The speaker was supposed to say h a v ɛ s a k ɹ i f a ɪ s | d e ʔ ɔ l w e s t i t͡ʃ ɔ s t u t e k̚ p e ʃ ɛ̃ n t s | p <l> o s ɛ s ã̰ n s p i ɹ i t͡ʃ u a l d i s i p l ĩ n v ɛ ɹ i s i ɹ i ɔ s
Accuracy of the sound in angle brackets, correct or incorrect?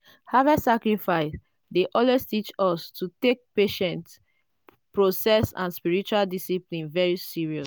incorrect: ɹ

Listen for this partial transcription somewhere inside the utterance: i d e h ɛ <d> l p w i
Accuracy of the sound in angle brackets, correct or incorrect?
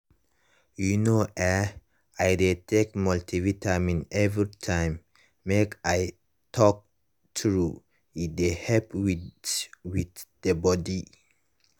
incorrect: none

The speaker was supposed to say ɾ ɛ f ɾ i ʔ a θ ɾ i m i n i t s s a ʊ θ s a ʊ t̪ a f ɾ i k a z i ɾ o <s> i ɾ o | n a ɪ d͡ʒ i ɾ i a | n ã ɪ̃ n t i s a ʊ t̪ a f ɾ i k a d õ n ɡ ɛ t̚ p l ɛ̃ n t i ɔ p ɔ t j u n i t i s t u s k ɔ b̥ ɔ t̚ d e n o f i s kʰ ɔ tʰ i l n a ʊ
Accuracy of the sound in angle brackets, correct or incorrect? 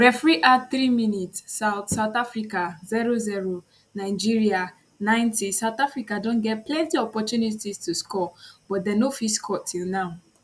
incorrect: z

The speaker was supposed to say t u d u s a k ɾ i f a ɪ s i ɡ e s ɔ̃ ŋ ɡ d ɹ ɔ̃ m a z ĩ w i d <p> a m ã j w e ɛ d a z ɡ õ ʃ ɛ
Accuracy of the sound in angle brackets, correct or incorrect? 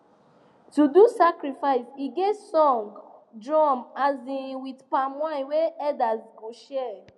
correct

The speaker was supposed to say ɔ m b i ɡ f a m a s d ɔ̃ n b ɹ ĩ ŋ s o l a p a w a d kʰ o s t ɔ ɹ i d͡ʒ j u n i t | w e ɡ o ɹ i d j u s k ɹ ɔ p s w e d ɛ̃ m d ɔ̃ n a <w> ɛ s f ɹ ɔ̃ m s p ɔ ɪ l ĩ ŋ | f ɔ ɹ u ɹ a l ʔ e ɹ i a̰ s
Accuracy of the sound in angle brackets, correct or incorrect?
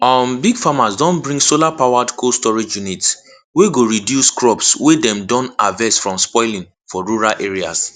incorrect: v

